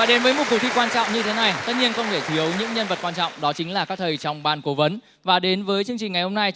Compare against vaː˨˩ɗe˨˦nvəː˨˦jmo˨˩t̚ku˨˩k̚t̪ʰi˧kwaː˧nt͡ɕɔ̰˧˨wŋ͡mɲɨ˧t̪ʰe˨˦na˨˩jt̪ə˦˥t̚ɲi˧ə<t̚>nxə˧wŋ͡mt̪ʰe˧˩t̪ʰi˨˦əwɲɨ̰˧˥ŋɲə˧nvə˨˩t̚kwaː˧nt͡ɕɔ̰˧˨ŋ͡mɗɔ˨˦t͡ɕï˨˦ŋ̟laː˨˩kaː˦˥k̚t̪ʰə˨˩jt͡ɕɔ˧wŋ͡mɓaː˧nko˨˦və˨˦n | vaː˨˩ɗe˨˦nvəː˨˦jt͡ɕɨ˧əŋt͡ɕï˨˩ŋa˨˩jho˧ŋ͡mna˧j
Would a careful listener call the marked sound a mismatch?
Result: yes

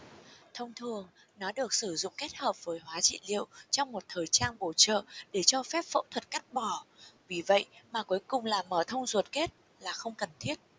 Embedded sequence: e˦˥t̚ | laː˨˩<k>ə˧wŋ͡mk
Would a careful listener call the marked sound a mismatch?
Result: yes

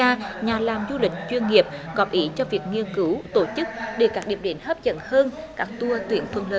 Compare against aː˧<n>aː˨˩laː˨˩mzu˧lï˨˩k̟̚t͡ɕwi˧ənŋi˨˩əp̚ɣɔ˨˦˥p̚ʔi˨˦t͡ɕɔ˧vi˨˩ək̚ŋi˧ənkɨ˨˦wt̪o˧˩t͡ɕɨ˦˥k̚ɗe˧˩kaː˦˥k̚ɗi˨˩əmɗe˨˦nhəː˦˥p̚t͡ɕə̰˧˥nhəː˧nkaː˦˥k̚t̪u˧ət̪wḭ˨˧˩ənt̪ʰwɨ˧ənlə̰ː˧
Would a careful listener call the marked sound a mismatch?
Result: yes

